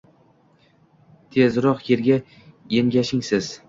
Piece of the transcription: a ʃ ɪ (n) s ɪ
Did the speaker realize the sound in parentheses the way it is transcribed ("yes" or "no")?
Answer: no